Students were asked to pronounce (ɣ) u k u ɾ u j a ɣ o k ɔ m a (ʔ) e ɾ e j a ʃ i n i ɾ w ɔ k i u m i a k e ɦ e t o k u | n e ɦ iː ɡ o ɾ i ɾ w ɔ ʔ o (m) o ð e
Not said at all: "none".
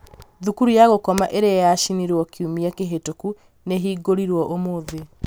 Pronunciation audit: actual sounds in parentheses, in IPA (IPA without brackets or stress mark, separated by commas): ð, ʔ, m